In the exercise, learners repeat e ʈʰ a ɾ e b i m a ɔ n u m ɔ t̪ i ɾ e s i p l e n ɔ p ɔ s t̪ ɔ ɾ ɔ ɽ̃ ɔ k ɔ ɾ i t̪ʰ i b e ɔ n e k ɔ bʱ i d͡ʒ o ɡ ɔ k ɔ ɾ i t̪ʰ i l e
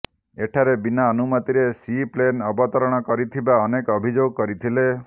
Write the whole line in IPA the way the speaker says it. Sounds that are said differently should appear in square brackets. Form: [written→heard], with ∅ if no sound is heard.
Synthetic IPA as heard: e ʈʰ a ɾ e b i [m→n] a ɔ n u m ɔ t̪ i ɾ e s i p l e n ɔ [p→b] ɔ [s→∅] t̪ ɔ ɾ ɔ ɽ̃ ɔ k ɔ ɾ i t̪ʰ i b [e→a] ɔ n e k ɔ bʱ i d͡ʒ o ɡ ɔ k ɔ ɾ i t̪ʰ i l e